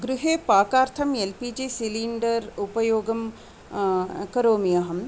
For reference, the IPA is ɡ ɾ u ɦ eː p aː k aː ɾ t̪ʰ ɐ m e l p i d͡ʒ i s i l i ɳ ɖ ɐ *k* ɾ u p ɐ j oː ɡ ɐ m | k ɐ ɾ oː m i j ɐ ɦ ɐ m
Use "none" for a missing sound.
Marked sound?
none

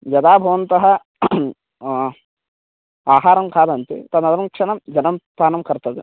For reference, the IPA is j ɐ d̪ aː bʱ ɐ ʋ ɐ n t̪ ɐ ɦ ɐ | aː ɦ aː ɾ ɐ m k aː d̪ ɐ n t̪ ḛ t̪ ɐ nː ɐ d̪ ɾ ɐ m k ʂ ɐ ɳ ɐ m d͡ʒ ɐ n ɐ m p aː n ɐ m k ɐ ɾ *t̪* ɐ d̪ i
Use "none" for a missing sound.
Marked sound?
t̪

